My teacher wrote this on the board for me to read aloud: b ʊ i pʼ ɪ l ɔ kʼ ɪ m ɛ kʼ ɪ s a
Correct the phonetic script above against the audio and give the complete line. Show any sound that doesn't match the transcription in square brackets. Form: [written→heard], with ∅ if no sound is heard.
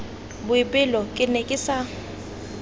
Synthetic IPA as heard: b ʊ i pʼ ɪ l ɔ kʼ ɪ [m→n] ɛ kʼ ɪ s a